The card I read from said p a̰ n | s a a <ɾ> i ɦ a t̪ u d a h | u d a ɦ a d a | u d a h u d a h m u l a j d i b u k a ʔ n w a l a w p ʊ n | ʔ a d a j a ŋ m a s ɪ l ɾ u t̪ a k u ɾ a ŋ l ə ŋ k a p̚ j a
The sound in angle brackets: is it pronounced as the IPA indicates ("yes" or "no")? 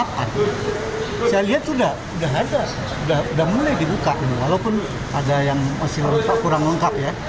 no